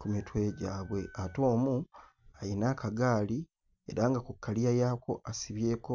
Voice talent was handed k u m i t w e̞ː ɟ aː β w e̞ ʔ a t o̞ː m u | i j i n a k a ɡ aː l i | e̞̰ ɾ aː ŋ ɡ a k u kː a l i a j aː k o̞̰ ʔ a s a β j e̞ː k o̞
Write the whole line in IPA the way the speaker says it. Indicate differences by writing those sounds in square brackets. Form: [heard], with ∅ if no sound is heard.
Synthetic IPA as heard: k u m i t w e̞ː ɟ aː β w e̞ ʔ a t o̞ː m u | [a] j i n a k a ɡ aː l i | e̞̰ ɾ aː ŋ ɡ a k u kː a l i a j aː k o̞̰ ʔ a s [i] β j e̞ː k o̞